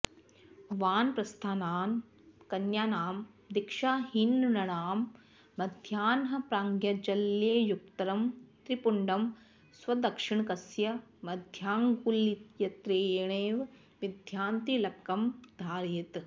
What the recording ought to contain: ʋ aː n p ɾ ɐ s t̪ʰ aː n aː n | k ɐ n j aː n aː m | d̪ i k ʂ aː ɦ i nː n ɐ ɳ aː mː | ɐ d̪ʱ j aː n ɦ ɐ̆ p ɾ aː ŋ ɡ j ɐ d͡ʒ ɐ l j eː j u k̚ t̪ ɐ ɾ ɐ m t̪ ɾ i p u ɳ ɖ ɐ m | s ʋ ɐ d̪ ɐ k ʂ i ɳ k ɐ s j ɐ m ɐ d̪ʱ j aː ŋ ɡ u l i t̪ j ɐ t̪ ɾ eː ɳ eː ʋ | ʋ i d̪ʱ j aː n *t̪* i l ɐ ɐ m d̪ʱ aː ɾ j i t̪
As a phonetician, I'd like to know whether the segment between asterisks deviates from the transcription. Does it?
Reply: no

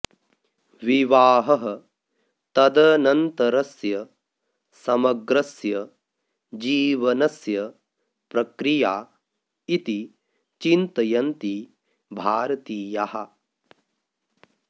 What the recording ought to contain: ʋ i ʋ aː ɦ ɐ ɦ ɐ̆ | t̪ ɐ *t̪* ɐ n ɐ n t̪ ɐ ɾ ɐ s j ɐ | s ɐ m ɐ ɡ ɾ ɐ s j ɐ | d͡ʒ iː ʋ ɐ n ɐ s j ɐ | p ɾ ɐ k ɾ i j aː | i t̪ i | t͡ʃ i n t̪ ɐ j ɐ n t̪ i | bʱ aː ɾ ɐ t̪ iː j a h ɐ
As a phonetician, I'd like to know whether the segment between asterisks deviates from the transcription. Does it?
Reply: yes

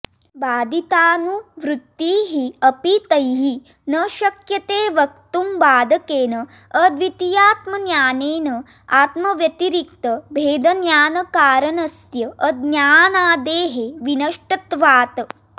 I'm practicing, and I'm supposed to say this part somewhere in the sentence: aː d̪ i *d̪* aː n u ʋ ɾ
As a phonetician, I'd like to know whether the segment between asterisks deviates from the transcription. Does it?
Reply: yes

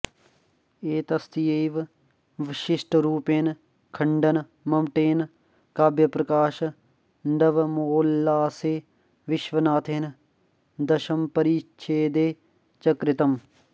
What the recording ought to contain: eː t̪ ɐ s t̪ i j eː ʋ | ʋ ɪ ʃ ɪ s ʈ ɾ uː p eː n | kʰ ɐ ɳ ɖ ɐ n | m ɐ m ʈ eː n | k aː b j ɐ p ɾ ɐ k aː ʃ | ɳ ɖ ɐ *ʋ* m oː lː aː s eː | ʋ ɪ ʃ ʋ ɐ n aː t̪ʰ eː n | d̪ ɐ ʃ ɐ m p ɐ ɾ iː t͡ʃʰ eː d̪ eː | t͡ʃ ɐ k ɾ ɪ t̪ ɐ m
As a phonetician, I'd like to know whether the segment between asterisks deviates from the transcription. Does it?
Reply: no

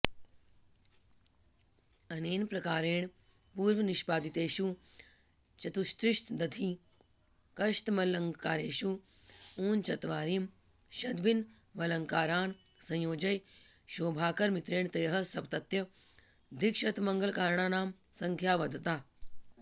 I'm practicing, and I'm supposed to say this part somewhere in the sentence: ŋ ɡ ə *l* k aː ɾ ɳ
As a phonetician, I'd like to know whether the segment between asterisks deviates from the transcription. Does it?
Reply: no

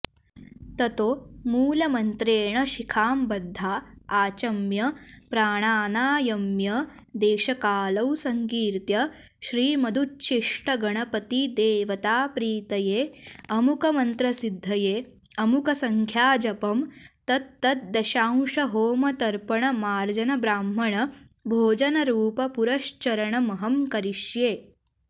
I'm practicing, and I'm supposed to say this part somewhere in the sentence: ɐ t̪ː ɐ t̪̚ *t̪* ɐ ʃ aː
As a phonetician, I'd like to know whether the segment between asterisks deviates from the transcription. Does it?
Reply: yes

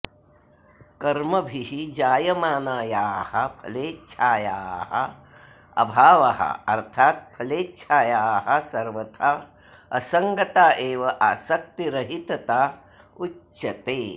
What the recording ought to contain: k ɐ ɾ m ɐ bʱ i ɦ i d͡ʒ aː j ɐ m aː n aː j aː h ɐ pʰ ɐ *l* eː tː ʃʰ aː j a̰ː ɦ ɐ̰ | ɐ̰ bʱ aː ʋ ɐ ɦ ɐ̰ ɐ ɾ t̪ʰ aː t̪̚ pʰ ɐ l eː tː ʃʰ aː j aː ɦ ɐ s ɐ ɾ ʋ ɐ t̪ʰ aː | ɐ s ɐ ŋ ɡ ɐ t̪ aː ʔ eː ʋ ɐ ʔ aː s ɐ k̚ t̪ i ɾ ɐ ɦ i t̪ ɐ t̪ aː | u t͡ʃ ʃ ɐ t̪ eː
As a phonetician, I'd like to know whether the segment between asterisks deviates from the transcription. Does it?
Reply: no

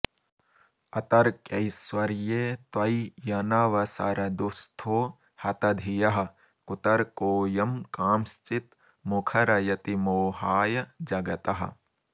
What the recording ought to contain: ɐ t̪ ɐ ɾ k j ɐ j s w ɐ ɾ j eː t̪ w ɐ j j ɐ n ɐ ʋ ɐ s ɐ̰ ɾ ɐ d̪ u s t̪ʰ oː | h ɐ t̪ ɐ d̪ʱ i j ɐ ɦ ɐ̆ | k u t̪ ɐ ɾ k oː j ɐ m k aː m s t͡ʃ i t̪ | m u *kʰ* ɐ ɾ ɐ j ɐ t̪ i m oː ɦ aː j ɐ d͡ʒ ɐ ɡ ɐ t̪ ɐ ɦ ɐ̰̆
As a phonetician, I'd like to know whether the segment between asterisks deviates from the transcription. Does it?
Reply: no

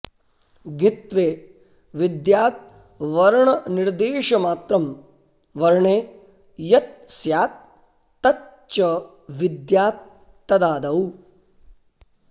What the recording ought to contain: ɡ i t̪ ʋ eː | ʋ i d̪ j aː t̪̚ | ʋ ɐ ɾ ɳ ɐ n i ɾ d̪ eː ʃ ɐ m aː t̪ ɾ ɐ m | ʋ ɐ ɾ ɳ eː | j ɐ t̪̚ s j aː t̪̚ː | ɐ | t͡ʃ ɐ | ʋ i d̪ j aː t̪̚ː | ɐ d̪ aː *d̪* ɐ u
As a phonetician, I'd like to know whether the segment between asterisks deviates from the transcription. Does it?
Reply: no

